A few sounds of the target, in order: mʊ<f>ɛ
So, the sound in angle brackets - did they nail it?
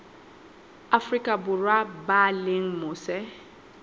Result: no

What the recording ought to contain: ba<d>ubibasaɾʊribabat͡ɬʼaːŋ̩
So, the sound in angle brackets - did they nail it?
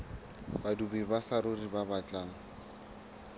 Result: yes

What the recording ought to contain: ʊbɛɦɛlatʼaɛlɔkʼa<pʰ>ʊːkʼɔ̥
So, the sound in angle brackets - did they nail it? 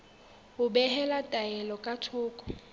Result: no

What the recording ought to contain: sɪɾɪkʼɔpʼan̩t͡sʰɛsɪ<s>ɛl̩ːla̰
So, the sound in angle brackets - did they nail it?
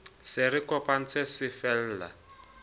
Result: no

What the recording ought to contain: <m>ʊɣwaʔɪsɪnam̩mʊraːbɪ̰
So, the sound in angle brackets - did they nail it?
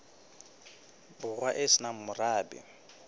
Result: no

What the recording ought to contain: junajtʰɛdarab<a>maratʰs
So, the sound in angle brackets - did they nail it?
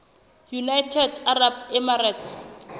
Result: no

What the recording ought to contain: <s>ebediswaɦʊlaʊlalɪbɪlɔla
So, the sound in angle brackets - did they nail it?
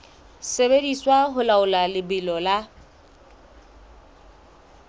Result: yes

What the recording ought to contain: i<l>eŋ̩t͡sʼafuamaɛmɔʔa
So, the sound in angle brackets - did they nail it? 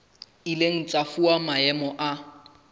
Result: yes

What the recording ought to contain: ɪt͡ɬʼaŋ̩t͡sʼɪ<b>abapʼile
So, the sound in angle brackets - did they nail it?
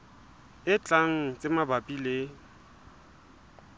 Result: no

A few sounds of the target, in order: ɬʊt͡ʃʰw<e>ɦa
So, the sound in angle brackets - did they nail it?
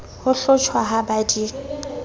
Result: no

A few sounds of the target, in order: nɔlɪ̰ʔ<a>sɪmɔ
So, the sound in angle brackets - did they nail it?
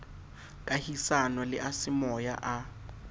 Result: yes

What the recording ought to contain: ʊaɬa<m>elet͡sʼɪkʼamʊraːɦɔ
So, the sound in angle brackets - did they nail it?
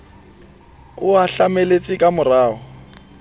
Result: yes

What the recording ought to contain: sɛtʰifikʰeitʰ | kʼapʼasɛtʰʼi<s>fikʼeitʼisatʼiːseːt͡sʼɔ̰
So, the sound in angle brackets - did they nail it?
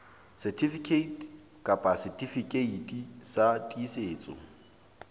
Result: no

